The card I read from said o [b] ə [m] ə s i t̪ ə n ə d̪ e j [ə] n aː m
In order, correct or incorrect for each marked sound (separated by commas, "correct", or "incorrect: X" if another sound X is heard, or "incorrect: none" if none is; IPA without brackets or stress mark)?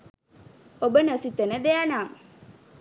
correct, incorrect: n, incorrect: a